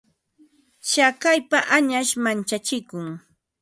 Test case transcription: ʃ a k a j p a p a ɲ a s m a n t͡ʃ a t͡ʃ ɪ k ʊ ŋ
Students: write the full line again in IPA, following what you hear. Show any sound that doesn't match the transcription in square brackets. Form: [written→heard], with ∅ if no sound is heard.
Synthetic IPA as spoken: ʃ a k a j p a [p→ʔ] a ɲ a [s→ʃ] m a n t͡ʃ a t͡ʃ ɪ k ʊ ŋ